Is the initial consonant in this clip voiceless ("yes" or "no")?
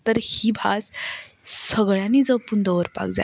yes